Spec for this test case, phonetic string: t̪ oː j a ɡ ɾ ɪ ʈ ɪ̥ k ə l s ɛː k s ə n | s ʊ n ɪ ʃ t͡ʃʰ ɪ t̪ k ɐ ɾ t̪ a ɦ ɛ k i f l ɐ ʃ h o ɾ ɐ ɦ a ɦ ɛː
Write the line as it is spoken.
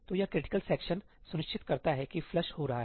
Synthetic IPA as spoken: t̪ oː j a k ɾ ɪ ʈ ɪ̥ k ə l s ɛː k ʃ ə n | s ʊ n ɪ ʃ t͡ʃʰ ɪ t̪ k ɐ ɾ t̪ a ɦ ɛ k i f l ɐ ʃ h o ɾ ɐ ɦ a ɦ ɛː

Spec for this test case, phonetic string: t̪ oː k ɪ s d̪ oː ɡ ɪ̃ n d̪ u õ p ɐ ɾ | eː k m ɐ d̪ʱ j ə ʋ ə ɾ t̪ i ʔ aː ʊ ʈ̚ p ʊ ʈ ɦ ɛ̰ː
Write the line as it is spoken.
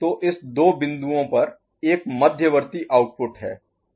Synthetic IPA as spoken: t̪ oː ʔ ɪ s d̪ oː b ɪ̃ n d̪ u õ p ɐ ɾ | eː k m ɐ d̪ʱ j ə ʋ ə ɾ t̪ i ʔ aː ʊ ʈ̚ p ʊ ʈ ɦ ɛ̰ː

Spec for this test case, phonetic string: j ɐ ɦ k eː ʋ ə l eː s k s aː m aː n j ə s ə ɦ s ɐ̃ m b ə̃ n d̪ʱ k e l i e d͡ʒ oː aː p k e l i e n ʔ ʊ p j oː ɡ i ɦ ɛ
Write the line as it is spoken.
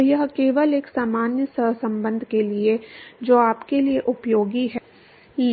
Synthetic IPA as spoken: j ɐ ɦ k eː ʋ ə l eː k s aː m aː n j ə s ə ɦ s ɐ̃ m b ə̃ n d̪ʱ k e l i e d͡ʒ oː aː p k e l i e ʔ ʊ p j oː ɡ i ɦ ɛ

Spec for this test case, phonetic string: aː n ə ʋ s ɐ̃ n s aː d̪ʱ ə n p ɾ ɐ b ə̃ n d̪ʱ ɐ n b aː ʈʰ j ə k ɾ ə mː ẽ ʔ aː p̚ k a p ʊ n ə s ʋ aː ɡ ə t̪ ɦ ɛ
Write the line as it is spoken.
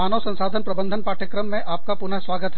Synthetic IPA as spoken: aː n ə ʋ s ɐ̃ n s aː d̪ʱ ə n p ɾ ɐ b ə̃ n d̪ʱ ə n p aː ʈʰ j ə k ɾ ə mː ẽ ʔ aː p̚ k a p ʊ n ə s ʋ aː ɡ ə t̪ ɦ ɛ

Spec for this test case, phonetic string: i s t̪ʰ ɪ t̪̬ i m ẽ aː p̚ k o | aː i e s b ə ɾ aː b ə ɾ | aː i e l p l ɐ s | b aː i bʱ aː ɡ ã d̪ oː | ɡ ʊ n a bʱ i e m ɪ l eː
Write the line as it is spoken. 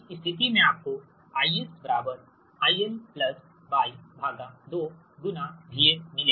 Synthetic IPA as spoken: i s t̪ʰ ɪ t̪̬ i m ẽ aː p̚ k o | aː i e s b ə ɾ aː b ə ɾ | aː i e l p l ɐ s | b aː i bʱ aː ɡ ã d̪ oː | ɡ ʊ n a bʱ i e m ɪ l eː

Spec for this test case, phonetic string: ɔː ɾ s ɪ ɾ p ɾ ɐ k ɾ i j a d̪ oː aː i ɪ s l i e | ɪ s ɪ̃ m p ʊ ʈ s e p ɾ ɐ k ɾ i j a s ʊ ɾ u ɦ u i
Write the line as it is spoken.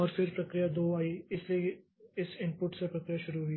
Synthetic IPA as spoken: ɔː ɾ f ɪ ɾ p ɾ ɐ k ɾ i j a d̪ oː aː i ɪ s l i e | ɪ s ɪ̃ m p ʊ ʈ s e p ɾ ɐ k ɾ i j a ʃ ʊ ɾ u ɦ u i

